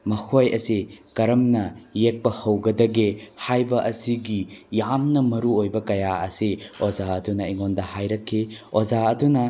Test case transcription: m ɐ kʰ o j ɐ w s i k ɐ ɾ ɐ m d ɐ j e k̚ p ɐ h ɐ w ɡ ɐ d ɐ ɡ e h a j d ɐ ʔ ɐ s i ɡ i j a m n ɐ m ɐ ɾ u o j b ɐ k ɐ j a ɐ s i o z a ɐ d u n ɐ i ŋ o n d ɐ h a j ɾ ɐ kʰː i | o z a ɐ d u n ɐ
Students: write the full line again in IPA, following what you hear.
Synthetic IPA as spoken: m ɐ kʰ o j ɐ s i k ɐ ɾ ɐ m n ɐ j e k̚ p ɐ h ɐ w ɡ ɐ d ɐ ɡ e h a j b ɐ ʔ ɐ s i ɡ i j a m n ɐ m ɐ ɾ u o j b ɐ k ɐ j a ɐ s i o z a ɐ d u n ɐ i ŋ o n d ɐ h a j ɾ ɐ kʰː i | o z a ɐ d u n ɐ